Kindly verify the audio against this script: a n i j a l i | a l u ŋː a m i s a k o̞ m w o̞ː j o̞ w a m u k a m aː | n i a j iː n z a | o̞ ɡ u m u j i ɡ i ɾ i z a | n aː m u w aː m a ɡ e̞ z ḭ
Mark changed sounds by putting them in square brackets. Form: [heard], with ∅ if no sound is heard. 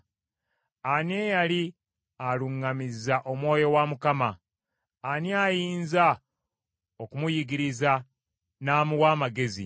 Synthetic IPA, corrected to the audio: a n [e] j a l i | a l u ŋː a m i [z] a [ʔ] o̞ m w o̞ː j o̞ w a m u k a m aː | n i a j iː n z a | o̞ [k] u m u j i ɡ i ɾ i z a | n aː m u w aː m a ɡ e̞ z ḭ

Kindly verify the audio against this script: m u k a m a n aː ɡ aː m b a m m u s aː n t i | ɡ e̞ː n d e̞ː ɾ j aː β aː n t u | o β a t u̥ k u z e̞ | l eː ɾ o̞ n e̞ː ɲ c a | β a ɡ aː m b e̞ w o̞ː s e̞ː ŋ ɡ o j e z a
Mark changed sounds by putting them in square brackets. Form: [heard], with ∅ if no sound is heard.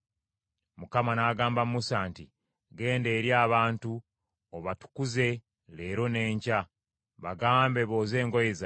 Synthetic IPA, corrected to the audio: m u k a m a n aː ɡ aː m b a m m u s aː n t i | ɡ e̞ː n d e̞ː ɾ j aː β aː n t u | o β a t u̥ k u z e̞ | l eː ɾ o̞ n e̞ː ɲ c a | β a ɡ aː m b e̞ [β] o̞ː [z] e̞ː ŋ ɡ o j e z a

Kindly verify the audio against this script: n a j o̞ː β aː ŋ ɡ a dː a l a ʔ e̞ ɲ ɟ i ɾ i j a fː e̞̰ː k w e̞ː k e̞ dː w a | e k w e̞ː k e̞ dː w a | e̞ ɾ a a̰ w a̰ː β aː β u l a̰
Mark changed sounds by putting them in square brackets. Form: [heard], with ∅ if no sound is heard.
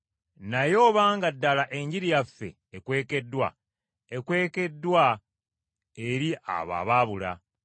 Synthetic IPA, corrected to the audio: n a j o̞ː β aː ŋ ɡ a dː a l a ʔ e̞ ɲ ɟ i ɾ i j a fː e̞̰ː k w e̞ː k e̞ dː w a | e k w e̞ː k e̞ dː w a | e̞ ɾ [i] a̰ [β] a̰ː β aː β u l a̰

